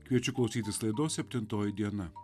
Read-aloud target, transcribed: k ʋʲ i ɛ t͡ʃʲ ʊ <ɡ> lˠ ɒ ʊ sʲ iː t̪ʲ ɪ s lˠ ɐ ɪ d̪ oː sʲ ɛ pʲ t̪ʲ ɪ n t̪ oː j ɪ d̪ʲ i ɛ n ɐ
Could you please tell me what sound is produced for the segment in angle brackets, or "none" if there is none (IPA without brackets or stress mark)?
k